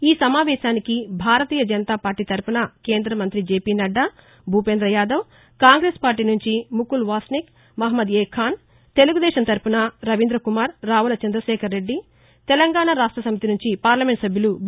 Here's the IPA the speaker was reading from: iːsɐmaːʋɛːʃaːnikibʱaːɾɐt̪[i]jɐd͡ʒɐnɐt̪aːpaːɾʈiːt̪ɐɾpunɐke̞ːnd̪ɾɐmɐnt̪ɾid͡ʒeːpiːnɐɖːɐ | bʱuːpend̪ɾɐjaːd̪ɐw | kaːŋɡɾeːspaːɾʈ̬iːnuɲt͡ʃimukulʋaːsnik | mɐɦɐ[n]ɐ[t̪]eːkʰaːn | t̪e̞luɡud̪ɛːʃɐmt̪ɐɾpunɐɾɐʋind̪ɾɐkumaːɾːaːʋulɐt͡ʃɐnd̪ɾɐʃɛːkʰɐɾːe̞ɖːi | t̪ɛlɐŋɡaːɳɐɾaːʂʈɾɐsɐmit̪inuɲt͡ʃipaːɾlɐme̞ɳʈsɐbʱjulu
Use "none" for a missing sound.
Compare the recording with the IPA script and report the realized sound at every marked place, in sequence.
iː, m, d̪

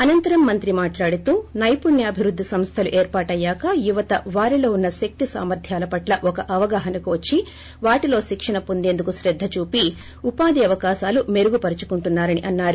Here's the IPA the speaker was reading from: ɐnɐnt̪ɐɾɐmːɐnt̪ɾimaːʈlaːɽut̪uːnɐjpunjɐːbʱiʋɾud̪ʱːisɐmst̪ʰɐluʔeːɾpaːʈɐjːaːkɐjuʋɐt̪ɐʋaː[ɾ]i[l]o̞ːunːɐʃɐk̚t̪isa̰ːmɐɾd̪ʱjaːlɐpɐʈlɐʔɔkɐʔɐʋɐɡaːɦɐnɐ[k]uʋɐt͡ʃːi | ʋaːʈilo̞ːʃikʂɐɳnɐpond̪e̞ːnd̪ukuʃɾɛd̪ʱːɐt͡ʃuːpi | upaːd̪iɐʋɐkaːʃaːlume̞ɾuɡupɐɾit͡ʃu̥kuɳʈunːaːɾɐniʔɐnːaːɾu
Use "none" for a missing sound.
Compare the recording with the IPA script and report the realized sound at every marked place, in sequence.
ɾ, l, k

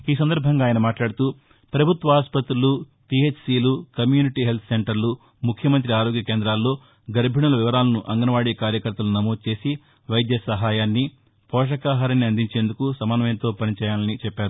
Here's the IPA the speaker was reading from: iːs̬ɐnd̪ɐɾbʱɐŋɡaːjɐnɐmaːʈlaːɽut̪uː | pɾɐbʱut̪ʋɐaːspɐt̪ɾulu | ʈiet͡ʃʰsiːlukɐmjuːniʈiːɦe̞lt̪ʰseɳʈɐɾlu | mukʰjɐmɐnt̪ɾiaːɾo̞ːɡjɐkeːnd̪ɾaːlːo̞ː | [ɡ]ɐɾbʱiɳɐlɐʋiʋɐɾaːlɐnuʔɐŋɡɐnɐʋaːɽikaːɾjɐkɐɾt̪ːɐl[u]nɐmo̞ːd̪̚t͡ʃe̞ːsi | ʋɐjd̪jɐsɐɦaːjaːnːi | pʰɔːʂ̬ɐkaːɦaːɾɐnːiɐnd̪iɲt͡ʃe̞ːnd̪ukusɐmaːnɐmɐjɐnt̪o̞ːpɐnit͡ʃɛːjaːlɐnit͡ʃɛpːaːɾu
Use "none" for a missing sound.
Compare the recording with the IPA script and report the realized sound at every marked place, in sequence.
ɡ, u

